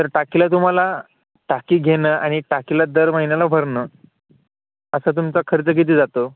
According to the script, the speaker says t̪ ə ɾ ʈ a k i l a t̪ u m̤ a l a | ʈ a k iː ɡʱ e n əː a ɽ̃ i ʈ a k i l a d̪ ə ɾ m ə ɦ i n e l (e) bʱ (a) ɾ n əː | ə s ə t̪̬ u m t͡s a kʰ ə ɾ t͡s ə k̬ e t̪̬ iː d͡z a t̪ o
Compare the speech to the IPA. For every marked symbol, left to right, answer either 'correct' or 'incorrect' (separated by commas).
incorrect, incorrect